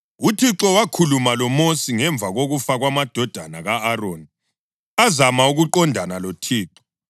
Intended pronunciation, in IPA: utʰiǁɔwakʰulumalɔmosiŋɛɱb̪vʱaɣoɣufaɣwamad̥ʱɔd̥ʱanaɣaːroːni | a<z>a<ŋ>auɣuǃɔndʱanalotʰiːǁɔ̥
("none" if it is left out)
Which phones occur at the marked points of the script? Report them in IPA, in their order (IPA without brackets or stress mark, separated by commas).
z, m